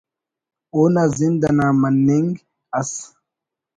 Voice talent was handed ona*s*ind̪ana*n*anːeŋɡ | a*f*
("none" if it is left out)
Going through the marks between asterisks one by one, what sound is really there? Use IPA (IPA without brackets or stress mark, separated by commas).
z, m, s